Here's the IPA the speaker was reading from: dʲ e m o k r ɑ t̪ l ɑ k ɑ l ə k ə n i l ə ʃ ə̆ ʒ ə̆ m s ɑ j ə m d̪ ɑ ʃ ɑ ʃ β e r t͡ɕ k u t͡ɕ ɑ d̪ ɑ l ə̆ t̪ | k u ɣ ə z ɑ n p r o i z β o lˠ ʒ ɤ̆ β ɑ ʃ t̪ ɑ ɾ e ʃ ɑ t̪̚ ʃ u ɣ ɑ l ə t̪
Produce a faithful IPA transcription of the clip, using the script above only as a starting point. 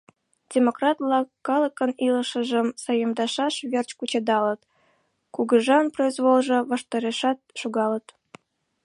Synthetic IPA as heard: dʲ e m o k r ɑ t̪ l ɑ k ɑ l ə k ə n i l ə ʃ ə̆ ʒ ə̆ m s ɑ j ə m d̪ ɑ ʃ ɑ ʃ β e r t͡ɕ k u t͡ɕ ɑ d̪ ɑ l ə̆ t̪ | k u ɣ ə ʒ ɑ n p r o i z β o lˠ ʒ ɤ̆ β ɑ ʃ t̪ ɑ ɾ e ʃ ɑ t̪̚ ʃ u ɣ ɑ l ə t̪